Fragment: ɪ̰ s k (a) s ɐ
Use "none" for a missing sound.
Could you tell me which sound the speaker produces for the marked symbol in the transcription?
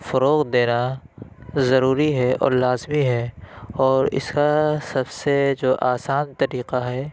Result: a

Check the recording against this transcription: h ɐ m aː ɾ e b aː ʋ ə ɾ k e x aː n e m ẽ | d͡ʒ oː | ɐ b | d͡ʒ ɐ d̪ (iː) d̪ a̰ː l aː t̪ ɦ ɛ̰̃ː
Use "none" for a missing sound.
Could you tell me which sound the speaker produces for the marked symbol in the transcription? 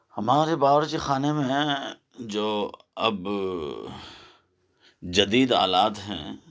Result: iː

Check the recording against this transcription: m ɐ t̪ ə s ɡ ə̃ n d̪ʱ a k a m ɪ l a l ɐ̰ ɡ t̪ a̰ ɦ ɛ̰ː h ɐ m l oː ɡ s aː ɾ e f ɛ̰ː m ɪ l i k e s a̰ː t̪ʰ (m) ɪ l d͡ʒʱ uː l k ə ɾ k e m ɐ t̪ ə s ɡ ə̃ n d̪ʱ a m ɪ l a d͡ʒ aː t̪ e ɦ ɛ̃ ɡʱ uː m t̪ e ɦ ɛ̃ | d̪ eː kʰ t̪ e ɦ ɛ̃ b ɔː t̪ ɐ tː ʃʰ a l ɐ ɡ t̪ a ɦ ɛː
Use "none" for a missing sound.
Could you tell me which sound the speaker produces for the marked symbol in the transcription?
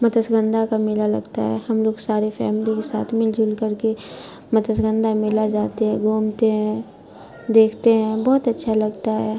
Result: m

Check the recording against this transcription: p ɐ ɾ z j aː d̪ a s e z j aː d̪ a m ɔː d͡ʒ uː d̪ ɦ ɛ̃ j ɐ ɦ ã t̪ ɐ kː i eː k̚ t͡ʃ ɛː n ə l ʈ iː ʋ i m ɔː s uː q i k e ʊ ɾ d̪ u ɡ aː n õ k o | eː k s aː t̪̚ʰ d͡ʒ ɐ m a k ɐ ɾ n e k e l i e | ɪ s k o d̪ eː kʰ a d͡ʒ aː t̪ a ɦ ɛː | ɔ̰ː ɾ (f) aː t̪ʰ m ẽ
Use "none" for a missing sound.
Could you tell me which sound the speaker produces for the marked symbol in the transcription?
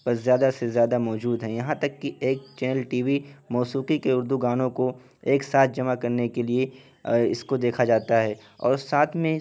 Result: s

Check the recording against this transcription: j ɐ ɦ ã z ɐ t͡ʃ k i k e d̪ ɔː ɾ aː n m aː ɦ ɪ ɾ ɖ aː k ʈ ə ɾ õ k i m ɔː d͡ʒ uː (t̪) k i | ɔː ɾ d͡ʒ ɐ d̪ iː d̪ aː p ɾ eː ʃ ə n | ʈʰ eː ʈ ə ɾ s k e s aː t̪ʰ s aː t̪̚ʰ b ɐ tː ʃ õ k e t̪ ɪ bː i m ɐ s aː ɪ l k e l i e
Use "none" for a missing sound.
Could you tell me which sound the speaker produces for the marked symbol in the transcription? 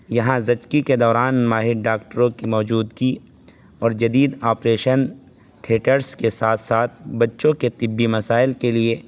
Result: d̪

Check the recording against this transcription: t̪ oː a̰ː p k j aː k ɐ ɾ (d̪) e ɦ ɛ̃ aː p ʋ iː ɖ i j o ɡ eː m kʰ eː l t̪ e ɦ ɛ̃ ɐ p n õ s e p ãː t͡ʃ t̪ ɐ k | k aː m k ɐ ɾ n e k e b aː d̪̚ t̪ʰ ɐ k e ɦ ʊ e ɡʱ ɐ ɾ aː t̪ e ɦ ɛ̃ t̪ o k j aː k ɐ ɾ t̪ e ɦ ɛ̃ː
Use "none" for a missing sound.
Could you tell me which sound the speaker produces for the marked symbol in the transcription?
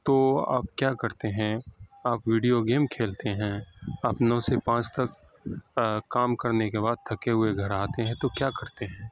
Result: t̪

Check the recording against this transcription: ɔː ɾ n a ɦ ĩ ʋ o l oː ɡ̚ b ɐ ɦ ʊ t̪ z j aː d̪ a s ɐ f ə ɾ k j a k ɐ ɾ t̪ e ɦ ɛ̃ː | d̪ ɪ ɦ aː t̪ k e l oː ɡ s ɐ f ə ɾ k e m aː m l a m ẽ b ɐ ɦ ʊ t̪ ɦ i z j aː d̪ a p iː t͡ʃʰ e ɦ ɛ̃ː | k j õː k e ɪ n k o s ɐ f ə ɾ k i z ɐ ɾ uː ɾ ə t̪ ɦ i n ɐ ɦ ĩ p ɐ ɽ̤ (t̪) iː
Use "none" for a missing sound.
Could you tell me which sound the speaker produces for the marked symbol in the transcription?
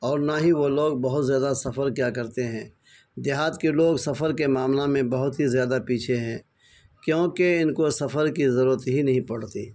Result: t̪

